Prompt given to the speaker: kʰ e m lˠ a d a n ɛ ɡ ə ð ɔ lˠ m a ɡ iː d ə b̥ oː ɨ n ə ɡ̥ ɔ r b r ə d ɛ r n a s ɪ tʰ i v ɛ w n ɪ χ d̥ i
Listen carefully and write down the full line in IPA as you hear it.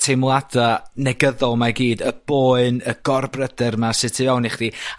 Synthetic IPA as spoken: tʰ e m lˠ a d a n ɛ ɡ ə ð ɔ lˠ m a ɡ iː d ə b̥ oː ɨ n ə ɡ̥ ɔ r b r ə d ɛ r m a s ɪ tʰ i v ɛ w n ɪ χ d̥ i